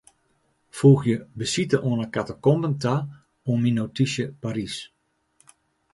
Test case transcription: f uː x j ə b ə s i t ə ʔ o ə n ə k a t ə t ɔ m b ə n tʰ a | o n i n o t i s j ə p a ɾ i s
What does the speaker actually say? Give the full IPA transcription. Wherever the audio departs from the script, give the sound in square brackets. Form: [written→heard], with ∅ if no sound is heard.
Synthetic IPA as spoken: f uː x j ə b ə s i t ə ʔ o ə n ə k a t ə [t→k] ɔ m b ə n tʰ a | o [n→m] i n o t i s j ə p a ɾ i s